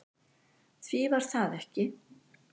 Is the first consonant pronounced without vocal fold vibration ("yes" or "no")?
yes